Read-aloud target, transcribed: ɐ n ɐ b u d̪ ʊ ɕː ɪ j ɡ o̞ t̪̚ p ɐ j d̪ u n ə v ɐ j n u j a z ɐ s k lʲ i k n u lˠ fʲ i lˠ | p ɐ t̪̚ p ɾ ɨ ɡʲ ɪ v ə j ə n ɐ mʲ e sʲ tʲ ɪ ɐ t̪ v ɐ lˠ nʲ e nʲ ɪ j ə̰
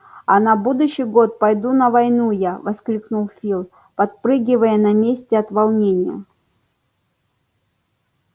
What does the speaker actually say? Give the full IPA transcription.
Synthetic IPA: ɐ n ɐ b u d̪ ʊ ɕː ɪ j ɡ o̞ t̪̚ p ɐ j d̪ u n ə v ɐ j n u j a v ɐ s k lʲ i k n u lˠ fʲ i lˠ | p ɐ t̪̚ p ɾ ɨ ɡʲ ɪ v ə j ə n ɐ mʲ e sʲ tʲ ɪ ɐ t̪ v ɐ lˠ nʲ e nʲ ɪ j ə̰

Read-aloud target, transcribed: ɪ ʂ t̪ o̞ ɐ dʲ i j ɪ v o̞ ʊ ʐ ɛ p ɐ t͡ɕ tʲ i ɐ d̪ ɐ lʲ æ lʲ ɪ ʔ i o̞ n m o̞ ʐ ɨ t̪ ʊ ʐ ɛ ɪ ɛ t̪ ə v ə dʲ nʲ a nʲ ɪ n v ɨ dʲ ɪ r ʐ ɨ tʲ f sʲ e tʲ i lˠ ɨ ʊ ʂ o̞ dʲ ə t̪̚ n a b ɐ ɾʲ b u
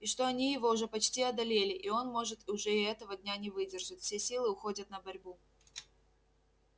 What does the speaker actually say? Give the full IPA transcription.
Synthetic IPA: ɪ ʂ t̪ o̞ ɐ nʲ i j ɪ v o̞ ʊ ʐ ɛ p ɐ t͡ɕ tʲ i ɐ d̪ ɐ lʲ e lʲ ɪ ʔ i o̞ n m o̞ ʐ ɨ t̪ ʊ ʐ ɛ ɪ ɛ t̪ ə v ə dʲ nʲ a nʲ ɪ v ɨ dʲ ɪ r ʐ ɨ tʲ f sʲ e sʲ i lˠ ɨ ʊ x o̞ dʲ ə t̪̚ n ə b ɐ ɾʲ b u

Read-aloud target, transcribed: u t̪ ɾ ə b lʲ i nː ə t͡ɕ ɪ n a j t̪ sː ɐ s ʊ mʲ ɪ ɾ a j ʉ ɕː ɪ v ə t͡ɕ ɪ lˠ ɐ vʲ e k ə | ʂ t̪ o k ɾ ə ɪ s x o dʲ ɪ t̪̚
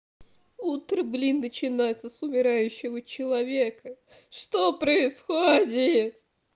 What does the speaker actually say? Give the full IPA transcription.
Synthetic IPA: u t̪ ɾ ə b lʲ i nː ə t͡ɕ ɪ n a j t̪ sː ə s ʊ mʲ ɪ ɾ a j ʉ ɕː ɪ v ə t͡ɕ ɪ lˠ ɐ vʲ e k ə | ʂ t̪ o p ɾ ə ɪ s x o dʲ ɪ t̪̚

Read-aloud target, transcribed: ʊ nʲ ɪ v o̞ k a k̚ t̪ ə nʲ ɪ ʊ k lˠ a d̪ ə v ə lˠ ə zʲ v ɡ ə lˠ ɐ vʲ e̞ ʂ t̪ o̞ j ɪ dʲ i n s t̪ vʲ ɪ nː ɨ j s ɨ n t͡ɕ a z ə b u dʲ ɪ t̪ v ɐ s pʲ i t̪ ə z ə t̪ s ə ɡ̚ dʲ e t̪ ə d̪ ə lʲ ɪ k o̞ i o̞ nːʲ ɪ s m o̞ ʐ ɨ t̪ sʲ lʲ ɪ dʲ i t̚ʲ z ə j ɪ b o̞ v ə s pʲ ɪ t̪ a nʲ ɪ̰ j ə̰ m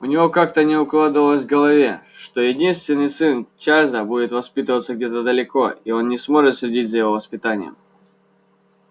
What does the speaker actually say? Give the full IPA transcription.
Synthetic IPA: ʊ nʲ ɪ v o̞ k a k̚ t̪ ə nʲ ɪ ʊ k lˠ a d̪ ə v ə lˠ ə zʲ v ɡ ə lˠ ɐ vʲ e̞ ʂ t̪ o̞ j ɪ dʲ i n s t̪ vʲ ɪ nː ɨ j s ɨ n t͡ɕ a z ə b u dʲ ɪ t̪ v ɐ s pʲ i t̪ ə v ə t̪ s ə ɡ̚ dʲ e t̪ ə d̪ ə lʲ ɪ k o̞ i o̞ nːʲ ɪ s m o̞ ʐ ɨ t̪ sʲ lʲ ɪ dʲ i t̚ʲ z ə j ɪ v o̞ v ə s pʲ ɪ t̪ a nʲ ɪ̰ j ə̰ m

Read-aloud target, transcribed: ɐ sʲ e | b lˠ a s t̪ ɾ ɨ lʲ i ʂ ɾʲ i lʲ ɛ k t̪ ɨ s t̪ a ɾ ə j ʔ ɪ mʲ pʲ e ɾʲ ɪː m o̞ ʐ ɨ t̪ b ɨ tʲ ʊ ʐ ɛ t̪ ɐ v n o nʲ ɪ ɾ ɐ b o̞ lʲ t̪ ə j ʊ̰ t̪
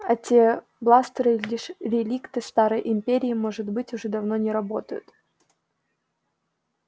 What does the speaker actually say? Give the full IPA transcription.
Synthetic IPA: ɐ tʲ e | b lˠ a s t̪ ɾ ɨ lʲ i ʂ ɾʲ ɪ lʲ i k t̪ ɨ s t̪ a ɾ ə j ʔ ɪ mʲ pʲ e ɾʲ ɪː m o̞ ʐ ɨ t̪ b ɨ tʲ ʊ ʐ ɛ d̪ ɐ v n o nʲ ɪ ɾ ɐ b o̞ t̪ ə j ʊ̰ t̪

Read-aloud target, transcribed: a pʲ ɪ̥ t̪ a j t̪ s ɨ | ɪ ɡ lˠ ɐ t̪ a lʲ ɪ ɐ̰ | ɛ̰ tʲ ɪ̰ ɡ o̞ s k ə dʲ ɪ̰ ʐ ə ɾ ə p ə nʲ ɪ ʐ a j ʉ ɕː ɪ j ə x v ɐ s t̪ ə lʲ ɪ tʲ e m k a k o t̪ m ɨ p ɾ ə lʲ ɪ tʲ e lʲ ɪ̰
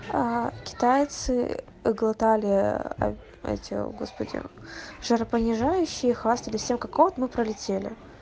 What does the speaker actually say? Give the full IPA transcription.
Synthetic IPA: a kʲ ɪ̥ t̪ a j t̪ s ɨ | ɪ ɡ lˠ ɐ t̪ a lʲ ɪ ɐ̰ | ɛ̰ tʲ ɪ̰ ɡ o̞ s p ə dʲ ɪ̰ ʐ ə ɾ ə p ə nʲ ɪ ʐ a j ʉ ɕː ɪ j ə x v a s t̪ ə lʲ ɪ sʲ e m k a k o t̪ m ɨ p ɾ ə lʲ ɪ tʲ e lʲ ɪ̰

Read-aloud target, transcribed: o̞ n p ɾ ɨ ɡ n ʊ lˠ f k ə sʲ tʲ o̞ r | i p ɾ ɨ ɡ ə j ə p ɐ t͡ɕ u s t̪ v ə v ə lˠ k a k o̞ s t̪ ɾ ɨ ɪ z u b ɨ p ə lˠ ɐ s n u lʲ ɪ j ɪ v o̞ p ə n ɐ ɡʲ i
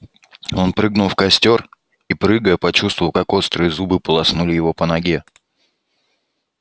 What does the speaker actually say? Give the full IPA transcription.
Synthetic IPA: o̞ n p ɾ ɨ ɡ n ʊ lˠ f k ɐ sʲ tʲ o̞ r | i p ɾ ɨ ɡ ə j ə p ɐ t͡ɕ u s t̪ v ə v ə lˠ k a k o̞ s t̪ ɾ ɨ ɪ z u b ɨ p ə lˠ ɐ s n u lʲ ɪ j ɪ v o̞ p ə n ɐ ɡʲ e

